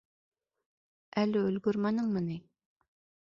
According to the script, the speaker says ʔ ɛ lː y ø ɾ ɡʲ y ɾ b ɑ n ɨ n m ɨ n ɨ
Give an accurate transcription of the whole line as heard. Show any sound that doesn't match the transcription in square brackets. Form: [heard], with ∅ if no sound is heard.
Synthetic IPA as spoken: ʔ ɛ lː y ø [l] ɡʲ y ɾ [m] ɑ n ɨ [ŋ] m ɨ n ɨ